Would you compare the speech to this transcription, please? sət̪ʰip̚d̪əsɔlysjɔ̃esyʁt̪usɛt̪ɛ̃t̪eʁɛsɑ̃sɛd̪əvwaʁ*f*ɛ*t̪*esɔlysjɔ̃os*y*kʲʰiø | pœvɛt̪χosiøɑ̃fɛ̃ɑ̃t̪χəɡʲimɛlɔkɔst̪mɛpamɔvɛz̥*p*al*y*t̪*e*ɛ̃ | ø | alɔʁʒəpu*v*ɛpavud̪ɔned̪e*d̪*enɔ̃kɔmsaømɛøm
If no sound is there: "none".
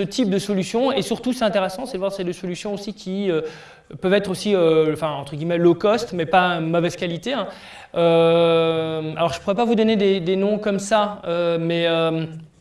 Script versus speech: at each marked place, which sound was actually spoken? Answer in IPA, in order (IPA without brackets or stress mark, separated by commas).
s, d̪, i, k, i, e, ʁ, d̪